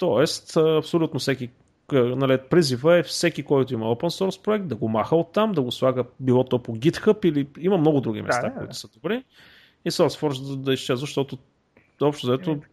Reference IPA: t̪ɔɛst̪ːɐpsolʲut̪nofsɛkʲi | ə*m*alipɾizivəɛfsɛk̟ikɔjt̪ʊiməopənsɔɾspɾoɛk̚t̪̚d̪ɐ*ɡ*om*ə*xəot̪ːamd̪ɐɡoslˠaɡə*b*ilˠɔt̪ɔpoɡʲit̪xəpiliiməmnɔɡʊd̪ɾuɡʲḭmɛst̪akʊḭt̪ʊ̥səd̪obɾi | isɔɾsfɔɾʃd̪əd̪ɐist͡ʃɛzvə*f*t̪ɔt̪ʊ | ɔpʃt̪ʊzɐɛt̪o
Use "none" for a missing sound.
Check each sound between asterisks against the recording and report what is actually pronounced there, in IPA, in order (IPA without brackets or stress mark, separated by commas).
n, ɡ, a, b, ʃ